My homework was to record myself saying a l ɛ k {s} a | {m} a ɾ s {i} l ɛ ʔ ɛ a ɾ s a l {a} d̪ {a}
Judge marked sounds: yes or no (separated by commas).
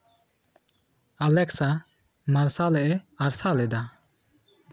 yes, yes, no, no, yes